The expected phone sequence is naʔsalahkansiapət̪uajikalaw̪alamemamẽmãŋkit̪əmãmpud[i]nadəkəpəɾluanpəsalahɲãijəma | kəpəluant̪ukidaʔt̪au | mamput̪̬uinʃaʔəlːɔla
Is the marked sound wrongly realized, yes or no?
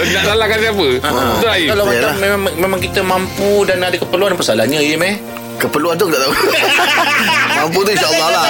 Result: yes